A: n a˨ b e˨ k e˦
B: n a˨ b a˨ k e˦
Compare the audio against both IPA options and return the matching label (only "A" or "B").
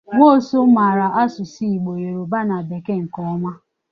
A